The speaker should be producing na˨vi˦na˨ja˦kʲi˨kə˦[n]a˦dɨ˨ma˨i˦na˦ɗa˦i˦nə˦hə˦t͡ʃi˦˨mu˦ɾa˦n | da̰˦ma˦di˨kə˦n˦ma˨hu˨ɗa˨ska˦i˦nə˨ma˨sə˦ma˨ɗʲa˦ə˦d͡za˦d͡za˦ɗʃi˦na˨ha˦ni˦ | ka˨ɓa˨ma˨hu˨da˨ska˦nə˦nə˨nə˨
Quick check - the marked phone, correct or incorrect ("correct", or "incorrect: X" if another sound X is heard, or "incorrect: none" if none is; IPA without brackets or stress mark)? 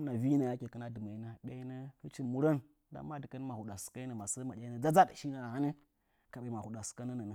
correct